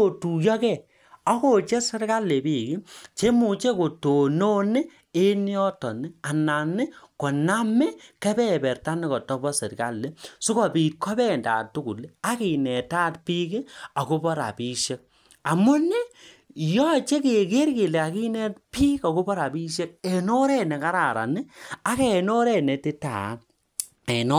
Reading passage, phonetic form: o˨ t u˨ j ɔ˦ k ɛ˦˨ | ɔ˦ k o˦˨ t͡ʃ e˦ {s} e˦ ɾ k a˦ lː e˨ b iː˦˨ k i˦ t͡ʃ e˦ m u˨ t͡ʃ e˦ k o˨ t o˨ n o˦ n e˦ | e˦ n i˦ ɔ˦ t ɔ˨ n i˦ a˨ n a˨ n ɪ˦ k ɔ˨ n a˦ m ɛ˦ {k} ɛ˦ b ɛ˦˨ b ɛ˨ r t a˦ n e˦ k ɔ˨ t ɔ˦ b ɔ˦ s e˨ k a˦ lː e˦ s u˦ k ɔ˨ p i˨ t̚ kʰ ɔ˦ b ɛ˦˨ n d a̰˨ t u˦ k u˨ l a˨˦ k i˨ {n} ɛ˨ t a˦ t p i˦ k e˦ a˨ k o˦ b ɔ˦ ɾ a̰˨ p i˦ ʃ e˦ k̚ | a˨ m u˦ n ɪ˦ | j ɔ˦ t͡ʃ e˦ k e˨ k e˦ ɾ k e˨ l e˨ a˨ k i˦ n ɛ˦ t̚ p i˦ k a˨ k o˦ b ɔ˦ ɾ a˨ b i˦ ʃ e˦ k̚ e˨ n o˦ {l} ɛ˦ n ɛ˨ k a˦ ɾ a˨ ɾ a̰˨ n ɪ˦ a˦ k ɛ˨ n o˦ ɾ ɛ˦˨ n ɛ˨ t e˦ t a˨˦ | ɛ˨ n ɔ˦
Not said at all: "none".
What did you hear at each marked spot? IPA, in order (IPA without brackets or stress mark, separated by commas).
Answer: s, k, n, ɾ